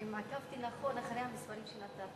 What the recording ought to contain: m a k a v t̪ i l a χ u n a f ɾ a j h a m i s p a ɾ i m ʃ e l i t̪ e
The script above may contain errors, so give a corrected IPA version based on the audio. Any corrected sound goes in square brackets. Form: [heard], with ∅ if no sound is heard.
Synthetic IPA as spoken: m a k a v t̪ i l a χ [o] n a [χ] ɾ [e] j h a m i s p a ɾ i m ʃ e l [a] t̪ [a]